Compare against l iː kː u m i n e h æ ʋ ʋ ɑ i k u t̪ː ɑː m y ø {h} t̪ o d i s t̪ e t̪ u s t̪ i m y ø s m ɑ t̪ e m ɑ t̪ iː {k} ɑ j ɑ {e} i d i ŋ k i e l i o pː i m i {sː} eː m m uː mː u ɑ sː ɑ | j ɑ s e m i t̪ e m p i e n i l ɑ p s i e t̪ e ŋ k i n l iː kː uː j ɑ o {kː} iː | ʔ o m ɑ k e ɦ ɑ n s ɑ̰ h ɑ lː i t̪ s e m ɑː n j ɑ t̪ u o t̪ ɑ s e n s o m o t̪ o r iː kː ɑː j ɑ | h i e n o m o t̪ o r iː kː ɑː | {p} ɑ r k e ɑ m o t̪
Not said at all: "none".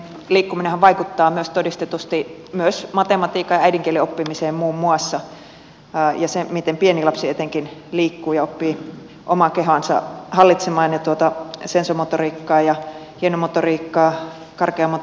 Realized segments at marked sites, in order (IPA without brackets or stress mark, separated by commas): s, k, æ, s, pː, k